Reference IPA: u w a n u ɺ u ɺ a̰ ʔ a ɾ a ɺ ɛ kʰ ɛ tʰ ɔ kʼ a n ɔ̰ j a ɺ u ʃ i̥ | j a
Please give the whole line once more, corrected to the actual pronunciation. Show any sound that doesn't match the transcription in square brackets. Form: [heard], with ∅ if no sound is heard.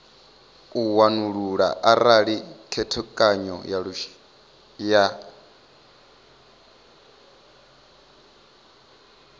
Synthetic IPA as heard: u w a n u ɺ u ɺ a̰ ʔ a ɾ a ɺ [i] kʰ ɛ tʰ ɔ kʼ a [ɲ] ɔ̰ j a ɺ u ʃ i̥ | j a